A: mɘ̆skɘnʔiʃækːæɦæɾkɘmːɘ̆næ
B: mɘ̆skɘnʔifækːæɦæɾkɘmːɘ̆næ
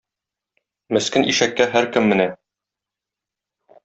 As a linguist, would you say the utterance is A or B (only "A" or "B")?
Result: A